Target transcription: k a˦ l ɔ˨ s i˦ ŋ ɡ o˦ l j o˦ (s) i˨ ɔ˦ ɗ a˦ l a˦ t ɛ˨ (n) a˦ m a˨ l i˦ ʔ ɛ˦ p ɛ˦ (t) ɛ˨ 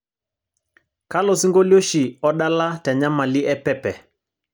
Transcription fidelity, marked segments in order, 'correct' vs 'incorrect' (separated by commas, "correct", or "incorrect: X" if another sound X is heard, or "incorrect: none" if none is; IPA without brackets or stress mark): incorrect: ʃ, incorrect: ɲ, incorrect: p